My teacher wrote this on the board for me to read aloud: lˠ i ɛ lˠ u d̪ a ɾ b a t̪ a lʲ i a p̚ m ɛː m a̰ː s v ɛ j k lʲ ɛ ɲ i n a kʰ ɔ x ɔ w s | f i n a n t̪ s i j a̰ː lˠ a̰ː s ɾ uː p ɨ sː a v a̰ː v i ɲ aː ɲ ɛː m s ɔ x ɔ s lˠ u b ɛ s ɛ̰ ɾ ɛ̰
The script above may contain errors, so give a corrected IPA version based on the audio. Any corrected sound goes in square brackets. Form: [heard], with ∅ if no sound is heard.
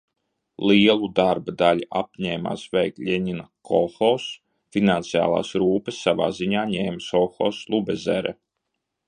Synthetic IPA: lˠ i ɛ lˠ u d̪ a ɾ b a [d̪] a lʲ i a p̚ [ɲ] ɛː m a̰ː s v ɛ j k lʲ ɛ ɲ i n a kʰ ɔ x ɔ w s | f i n a n t̪ s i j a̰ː lˠ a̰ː s ɾ uː p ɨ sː a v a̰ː [z] i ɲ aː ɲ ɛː m s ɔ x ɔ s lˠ u b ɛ [z] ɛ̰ ɾ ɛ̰